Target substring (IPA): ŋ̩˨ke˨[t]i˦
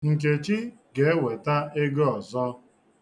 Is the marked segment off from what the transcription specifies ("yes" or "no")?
yes